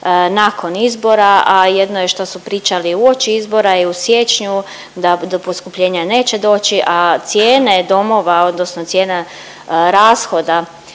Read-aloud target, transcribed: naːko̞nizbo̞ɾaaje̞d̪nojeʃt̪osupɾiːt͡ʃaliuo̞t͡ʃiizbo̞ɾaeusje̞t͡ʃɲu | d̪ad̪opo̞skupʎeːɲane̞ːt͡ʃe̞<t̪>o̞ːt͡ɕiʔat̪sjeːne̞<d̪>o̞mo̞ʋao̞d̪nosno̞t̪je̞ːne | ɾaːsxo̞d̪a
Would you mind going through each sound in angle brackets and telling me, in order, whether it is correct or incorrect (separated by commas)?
incorrect, correct